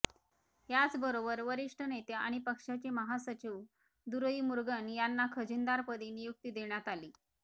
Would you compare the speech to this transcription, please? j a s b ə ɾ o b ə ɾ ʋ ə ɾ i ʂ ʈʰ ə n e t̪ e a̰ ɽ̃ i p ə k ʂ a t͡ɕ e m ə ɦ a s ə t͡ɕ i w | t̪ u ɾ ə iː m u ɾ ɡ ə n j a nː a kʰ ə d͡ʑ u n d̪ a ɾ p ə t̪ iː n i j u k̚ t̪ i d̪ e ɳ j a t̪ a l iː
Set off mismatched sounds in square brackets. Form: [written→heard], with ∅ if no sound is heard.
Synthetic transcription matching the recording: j a [s→t͡s] b ə ɾ o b ə ɾ ʋ ə ɾ i ʂ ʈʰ ə n e t̪ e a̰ ɽ̃ i p ə k ʂ a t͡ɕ e m ə ɦ a s ə t͡ɕ i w | [t̪→d̪] u ɾ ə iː m u ɾ ɡ ə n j a nː a kʰ ə d͡ʑ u n d̪ a ɾ p ə [t̪→d̪] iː n i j u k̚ t̪ i d̪ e ɳ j a t̪ a l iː